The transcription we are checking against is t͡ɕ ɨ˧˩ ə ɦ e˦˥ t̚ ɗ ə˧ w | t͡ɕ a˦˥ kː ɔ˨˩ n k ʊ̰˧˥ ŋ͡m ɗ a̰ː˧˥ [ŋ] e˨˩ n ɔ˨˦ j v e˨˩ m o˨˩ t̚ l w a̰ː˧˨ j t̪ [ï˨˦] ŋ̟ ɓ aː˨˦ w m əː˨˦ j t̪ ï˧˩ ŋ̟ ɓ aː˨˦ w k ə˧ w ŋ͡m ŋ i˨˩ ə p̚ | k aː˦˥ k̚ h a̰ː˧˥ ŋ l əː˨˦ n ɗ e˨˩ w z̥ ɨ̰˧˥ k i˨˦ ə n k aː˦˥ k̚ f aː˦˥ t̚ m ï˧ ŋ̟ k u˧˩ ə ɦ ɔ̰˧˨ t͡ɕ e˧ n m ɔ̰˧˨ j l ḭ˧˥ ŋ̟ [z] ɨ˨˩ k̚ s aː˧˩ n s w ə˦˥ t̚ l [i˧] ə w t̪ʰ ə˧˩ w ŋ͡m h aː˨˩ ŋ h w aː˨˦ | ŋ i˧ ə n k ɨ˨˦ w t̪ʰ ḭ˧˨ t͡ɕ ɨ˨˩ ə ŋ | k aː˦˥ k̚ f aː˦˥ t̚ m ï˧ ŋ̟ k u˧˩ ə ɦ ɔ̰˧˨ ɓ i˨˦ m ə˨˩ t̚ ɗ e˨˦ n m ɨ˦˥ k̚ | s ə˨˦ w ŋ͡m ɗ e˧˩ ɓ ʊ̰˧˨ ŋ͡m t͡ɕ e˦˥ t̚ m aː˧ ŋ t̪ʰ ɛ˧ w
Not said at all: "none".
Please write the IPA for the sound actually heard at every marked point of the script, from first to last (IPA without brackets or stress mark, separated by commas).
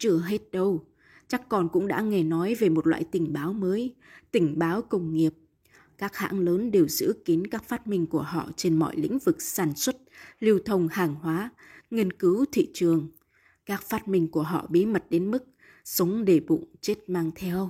ŋ, ï˧˩, v, i˧